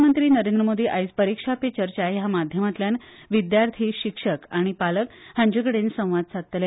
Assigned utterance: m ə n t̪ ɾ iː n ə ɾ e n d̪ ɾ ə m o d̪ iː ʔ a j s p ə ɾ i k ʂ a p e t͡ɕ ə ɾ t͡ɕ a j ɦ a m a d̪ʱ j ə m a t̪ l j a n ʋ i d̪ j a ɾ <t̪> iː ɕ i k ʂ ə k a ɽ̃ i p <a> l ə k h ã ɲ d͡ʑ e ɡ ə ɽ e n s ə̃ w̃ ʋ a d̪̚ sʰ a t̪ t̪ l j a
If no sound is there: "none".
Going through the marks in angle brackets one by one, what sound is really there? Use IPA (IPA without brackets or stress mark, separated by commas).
t̪ʰ, a